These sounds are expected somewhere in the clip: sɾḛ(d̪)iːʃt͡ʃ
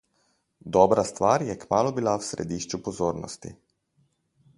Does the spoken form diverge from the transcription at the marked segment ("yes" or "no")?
no